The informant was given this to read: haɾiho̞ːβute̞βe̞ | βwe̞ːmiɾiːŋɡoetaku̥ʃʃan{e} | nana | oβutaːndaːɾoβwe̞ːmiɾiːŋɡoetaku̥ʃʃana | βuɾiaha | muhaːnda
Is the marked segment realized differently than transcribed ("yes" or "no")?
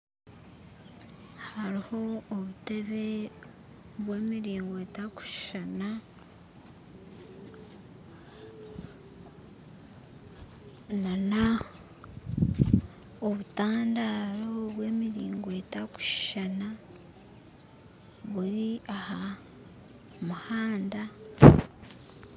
yes